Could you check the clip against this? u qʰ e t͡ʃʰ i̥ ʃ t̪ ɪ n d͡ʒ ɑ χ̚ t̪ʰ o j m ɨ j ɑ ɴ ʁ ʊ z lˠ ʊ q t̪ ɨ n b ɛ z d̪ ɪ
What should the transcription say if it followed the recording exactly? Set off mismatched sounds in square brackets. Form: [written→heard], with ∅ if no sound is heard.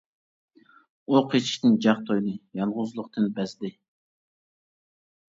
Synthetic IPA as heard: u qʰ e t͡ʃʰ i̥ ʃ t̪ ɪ n d͡ʒ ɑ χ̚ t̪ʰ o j [m→n] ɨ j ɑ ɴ ʁ ʊ z lˠ ʊ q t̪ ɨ n b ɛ z d̪ ɪ